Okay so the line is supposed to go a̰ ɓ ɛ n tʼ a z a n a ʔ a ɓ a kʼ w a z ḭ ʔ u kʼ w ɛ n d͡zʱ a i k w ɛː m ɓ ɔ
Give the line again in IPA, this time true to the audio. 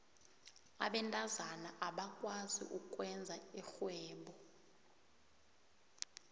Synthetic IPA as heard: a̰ ɓ ɛ n tʼ a z a n a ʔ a ɓ a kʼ w a z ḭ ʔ u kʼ w ɛ n d͡zʱ a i x w ɛː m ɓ ɔ